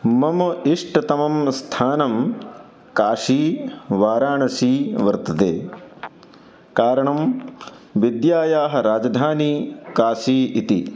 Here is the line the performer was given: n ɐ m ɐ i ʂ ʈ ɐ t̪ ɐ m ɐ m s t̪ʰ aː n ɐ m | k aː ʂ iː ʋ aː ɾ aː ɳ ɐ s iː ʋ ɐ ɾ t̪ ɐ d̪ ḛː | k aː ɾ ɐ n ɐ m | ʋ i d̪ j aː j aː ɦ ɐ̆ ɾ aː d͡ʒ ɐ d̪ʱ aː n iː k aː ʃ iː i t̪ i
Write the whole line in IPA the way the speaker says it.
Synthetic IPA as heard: m ɐ m ɐ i ʂ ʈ ɐ t̪ ɐ m ɐ m s t̪ʰ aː n ɐ m | k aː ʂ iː ʋ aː ɾ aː ɳ ɐ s iː ʋ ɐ ɾ t̪ ɐ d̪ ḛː | k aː ɾ ɐ ɳ ɐ m | ʋ i d̪ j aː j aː ɦ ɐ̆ ɾ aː d͡ʒ ɐ d̪ʱ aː n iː k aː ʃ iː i t̪ i